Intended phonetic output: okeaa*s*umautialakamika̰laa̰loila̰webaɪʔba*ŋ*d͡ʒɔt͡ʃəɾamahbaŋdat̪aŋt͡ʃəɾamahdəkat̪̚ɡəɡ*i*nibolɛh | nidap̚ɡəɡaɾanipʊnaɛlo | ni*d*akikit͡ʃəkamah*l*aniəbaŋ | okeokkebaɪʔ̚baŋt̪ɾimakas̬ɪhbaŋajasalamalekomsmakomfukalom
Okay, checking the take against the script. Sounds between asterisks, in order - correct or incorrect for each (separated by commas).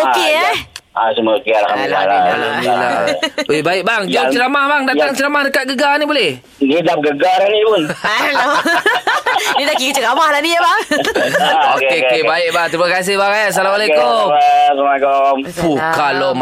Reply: correct, correct, incorrect, correct, correct